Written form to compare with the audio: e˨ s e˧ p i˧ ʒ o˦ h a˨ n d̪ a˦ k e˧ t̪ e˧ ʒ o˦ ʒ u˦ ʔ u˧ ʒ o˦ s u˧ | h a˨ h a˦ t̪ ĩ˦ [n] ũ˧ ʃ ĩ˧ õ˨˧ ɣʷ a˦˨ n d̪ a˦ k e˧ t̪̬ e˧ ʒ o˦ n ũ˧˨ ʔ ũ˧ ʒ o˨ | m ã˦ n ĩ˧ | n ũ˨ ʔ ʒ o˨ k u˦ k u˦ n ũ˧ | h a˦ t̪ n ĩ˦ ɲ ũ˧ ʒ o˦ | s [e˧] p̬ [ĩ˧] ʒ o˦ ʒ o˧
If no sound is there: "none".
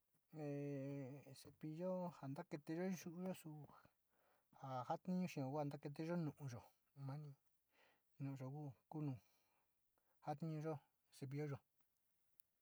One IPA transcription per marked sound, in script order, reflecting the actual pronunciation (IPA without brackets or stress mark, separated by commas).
ɲ, e˧, i˧